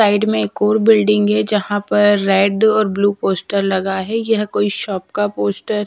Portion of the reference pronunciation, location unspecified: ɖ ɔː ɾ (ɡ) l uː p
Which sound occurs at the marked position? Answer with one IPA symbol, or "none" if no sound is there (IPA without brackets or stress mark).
b